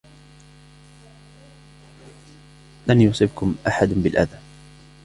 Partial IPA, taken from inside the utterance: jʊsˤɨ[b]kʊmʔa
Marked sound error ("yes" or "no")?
no